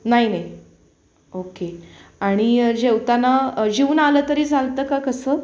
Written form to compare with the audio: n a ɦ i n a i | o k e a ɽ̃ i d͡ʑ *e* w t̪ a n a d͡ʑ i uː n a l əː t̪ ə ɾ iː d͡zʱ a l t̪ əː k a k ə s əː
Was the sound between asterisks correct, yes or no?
yes